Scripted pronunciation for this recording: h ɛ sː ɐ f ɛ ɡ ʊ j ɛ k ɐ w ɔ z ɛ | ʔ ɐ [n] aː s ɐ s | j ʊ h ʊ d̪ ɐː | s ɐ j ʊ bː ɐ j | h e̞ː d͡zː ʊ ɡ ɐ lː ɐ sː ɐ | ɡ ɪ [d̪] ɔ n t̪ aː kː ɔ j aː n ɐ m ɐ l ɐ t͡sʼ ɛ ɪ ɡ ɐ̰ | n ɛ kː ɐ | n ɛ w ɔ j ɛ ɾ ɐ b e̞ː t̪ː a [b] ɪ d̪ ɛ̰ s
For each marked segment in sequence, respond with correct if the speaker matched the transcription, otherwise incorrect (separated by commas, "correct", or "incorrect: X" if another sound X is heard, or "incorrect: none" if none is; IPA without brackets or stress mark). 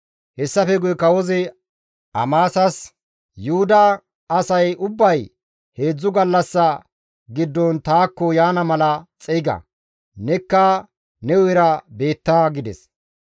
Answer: incorrect: m, incorrect: d̪ː, incorrect: ɡ